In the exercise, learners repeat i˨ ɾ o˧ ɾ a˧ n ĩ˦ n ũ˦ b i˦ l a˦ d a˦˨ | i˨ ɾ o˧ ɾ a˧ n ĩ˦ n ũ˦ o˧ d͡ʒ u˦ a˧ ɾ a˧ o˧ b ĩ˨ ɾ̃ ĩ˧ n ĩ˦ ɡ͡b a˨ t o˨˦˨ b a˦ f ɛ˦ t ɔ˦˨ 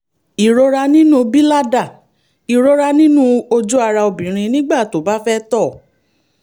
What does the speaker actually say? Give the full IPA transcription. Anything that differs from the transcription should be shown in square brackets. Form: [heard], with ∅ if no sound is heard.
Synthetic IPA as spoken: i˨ ɾ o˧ ɾ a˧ n ĩ˦ n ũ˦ b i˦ l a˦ d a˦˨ | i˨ ɾ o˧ ɾ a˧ n ĩ˦ n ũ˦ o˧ d͡ʒ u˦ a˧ ɾ a˧ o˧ b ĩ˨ ɾ̃ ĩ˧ n ĩ˦ ɡ͡b [a˦˨] t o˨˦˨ b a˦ f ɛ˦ t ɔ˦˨